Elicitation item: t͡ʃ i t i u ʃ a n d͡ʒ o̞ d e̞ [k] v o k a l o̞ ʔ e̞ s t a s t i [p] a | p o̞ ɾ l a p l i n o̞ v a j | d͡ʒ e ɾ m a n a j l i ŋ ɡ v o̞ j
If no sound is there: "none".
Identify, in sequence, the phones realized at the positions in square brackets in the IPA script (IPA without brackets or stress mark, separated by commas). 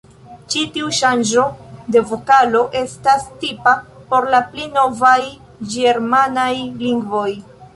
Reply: none, p